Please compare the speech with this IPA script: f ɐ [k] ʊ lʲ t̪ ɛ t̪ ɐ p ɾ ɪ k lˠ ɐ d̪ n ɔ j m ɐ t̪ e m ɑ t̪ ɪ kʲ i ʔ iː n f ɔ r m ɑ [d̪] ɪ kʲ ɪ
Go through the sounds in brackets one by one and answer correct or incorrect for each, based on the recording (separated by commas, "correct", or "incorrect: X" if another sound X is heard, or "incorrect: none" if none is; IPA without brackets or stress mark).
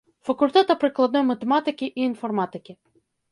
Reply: correct, incorrect: t̪